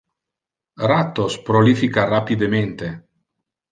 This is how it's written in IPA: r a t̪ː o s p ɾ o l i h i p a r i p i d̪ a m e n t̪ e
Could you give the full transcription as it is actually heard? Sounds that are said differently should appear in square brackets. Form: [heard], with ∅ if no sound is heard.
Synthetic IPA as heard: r a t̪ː o s p ɾ o l i [f] i [k] a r [a] p i d̪ [e] m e n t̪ e